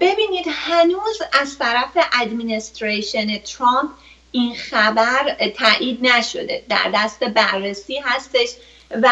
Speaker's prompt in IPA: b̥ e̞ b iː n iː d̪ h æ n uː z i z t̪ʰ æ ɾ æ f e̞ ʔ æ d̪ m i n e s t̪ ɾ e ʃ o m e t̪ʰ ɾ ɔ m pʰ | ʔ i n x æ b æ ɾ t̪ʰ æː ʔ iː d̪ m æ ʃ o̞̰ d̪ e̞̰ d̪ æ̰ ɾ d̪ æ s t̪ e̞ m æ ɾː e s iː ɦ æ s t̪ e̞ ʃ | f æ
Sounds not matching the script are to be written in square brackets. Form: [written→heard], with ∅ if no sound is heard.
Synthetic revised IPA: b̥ e̞ b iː n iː d̪ h æ n uː z [i→æ] z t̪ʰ æ ɾ æ f e̞ ʔ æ d̪ m i n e s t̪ ɾ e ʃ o [m→n] e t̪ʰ ɾ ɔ m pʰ | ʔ i n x æ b æ ɾ t̪ʰ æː ʔ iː d̪ [m→n] æ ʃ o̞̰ d̪ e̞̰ d̪ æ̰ ɾ d̪ æ s t̪ e̞ [m→b] æ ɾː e s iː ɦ æ s t̪ e̞ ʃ | [f→v] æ